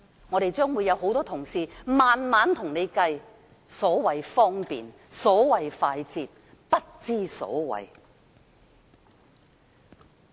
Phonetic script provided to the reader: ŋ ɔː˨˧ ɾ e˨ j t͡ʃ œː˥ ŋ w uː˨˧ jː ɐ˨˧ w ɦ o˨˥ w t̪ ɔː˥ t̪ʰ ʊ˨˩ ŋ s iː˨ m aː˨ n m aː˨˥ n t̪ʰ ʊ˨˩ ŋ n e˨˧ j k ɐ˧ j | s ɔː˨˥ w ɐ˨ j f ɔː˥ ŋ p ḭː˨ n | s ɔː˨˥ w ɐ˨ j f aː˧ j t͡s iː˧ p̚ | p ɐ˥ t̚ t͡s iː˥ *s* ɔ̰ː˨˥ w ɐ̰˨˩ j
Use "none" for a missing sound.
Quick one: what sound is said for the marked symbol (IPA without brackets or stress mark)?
s